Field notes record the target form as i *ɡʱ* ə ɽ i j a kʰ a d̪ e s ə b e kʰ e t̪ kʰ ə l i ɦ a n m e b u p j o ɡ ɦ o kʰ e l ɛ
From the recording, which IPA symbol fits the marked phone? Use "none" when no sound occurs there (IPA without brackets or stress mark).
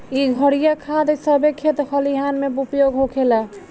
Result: ɡʱ